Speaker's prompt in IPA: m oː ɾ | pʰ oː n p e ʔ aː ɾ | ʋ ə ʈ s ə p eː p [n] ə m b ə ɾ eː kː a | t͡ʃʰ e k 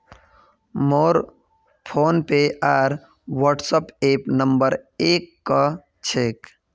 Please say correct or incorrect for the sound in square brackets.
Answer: correct